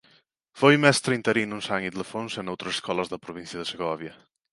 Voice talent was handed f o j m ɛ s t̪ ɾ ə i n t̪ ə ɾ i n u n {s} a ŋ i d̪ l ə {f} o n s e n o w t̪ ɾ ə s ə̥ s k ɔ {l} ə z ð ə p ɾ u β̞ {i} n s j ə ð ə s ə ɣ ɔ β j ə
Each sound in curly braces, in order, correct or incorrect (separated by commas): correct, correct, correct, correct